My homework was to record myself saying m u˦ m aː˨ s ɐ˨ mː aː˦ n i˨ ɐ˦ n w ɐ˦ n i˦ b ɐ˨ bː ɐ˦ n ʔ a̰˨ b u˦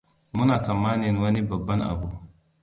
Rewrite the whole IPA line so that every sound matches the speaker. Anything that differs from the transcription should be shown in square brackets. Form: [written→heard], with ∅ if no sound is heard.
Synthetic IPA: m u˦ [m→n] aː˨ s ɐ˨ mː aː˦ n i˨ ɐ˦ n w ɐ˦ n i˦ b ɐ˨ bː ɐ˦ n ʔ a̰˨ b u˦